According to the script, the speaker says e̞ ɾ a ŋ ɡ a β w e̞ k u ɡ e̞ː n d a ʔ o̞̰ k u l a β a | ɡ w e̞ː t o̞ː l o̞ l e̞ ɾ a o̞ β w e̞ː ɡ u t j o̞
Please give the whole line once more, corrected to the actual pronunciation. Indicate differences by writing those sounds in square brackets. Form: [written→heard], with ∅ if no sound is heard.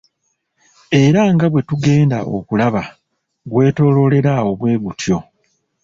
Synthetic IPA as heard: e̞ ɾ a ŋ ɡ a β w e̞ [k→t] u ɡ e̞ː n d a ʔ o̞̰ k u l a β a | ɡ w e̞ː t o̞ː l o̞ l e̞ ɾ a o̞ β w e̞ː ɡ u t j o̞